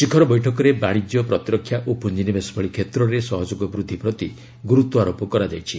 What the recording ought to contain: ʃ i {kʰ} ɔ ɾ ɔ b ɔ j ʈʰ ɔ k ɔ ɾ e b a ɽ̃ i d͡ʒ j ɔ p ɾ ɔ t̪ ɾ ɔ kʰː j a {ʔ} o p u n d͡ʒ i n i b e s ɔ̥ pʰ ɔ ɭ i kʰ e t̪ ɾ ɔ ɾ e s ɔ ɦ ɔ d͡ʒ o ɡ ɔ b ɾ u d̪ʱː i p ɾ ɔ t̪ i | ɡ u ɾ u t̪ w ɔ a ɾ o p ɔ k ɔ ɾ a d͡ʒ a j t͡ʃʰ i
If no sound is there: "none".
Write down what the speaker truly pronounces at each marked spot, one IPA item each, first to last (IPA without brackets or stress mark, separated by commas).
kʰ, ʔ